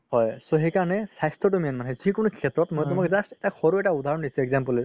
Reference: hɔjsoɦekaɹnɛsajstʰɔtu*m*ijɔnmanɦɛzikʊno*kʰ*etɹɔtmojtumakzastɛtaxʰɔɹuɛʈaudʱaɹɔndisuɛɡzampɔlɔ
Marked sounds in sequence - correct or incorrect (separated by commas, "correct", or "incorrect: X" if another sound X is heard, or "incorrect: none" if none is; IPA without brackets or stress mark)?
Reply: correct, correct